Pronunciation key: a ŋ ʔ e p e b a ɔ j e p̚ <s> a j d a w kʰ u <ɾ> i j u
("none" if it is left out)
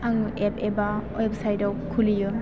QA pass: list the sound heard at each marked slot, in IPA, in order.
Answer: s, l

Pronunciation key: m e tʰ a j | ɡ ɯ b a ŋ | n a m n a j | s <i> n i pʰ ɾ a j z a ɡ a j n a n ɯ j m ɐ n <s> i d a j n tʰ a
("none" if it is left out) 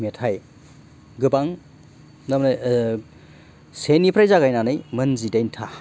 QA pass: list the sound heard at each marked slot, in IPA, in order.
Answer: e, z

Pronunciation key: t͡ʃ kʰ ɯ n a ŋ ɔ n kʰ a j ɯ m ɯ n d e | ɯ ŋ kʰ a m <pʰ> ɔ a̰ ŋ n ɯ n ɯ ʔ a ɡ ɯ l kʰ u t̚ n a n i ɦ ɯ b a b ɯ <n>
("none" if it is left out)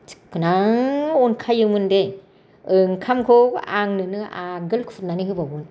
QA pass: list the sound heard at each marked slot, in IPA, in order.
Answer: kʰ, n

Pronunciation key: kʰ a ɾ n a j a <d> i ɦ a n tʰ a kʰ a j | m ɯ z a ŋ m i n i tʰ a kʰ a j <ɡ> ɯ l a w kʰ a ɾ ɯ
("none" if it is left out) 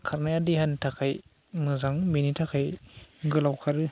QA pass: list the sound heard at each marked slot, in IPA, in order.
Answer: d, ɡ

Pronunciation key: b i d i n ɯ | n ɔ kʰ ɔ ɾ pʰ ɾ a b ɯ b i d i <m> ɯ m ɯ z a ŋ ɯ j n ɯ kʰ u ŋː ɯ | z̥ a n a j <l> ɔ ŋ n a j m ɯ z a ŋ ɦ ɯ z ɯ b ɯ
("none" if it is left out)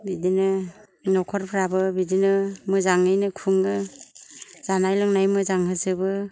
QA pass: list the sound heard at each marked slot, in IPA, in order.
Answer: n, l

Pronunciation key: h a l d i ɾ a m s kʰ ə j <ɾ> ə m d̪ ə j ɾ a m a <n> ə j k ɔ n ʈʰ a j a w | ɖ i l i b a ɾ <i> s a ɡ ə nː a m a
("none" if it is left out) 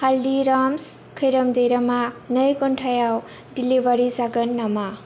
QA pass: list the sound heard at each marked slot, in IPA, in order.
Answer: ɾ, n, i

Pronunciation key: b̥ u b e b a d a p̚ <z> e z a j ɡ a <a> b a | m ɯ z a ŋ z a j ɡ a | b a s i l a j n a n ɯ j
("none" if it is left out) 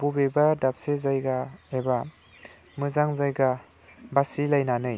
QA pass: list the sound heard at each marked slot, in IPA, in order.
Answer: s, e

